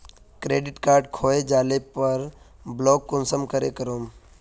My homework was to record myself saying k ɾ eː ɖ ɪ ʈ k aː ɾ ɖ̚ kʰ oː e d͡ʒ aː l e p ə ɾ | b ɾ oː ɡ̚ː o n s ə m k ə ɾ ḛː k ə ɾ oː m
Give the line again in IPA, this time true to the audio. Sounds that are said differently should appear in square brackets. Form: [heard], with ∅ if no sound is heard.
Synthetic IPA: k ɾ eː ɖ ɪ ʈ k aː ɾ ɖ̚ kʰ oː e d͡ʒ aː l e p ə ɾ | b [l] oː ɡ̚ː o n s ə m k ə ɾ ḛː k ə ɾ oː m